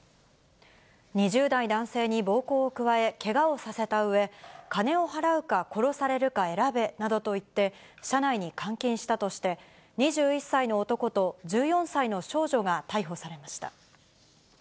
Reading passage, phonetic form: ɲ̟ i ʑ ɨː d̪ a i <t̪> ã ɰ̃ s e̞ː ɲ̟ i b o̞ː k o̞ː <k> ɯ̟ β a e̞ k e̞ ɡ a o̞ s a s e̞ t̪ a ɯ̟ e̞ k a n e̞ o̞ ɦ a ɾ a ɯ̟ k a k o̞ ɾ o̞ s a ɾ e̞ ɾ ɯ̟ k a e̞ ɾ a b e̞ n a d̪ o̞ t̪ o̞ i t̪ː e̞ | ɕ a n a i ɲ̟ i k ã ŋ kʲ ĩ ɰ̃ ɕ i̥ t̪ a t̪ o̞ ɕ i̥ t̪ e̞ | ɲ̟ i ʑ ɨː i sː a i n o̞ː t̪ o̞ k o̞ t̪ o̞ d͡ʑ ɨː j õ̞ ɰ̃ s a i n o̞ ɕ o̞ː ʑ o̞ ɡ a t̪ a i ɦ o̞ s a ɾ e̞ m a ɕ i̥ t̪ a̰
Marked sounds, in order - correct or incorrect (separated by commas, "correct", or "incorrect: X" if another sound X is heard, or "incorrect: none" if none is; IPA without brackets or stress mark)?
incorrect: d̪, correct